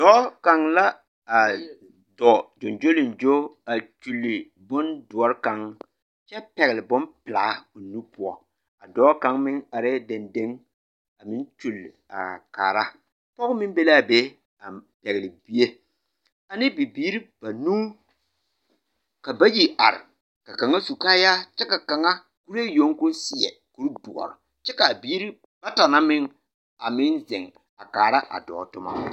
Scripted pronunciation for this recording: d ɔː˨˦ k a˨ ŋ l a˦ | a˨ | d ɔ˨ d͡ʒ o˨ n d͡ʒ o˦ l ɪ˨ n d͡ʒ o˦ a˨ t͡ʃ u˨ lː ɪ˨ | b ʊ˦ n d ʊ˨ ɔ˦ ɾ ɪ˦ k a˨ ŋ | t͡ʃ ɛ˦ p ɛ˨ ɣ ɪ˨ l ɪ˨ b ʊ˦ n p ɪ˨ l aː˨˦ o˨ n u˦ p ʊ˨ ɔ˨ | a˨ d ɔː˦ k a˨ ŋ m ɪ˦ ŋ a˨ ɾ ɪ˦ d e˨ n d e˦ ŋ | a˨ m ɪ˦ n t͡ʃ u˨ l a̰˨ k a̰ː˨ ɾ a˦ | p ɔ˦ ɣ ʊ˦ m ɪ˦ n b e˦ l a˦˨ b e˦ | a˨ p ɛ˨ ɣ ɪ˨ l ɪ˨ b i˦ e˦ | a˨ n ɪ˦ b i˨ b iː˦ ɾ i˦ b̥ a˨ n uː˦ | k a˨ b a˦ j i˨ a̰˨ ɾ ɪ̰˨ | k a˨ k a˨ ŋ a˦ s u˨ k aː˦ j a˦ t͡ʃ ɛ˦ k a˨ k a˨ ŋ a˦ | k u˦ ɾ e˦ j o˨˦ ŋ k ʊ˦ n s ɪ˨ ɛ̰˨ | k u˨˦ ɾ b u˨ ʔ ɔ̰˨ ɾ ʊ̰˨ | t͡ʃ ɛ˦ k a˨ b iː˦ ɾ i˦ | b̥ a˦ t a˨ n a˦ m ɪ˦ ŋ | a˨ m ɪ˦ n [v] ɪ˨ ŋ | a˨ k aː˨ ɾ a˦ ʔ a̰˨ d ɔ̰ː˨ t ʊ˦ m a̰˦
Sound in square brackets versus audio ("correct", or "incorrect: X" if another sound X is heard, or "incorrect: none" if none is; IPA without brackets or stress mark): incorrect: z